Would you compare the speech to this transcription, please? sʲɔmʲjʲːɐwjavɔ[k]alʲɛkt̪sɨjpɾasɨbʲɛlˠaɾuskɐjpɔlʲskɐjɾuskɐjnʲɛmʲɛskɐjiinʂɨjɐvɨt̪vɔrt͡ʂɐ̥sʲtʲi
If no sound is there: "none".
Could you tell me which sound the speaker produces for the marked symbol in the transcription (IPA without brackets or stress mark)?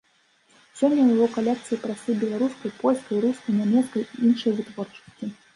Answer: k